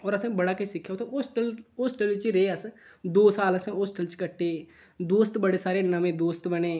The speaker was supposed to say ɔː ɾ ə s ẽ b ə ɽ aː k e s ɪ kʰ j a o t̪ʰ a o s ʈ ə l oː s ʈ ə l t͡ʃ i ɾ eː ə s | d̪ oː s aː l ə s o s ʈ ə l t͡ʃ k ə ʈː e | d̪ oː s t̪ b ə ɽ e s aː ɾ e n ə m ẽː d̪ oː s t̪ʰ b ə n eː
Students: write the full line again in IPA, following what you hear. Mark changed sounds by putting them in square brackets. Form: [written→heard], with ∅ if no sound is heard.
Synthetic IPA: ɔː ɾ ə s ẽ b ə ɽ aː k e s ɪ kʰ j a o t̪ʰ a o s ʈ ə l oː s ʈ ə l t͡ʃ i ɾ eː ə s | d̪ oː s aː l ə s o s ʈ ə l t͡ʃ k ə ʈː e | d̪ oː s t̪ b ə ɽ e s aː ɾ e n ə m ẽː d̪ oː s [t̪ʰ→t̪] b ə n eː